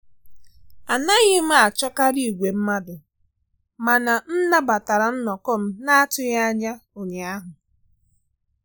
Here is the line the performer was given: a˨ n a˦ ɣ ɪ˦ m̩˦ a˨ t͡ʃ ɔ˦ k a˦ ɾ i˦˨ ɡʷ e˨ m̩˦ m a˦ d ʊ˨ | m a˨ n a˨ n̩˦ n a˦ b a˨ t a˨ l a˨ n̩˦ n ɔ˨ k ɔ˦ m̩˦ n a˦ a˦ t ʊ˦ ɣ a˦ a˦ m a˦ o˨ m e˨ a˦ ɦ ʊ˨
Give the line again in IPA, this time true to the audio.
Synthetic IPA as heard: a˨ n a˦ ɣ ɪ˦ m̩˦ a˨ t͡ʃ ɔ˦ k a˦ ɾ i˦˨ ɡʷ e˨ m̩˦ m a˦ d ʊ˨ | m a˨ n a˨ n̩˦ n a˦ b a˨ t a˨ ɾ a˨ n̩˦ n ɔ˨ k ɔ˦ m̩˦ n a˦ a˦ t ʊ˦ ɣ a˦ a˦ ɲ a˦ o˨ ɲ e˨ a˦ ɦ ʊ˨